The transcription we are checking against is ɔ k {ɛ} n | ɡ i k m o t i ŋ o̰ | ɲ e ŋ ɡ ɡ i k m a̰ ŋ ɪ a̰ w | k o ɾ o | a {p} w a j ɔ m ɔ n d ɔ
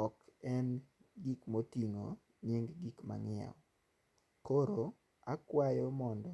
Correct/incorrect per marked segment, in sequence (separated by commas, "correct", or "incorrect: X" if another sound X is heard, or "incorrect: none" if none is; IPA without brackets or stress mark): correct, incorrect: k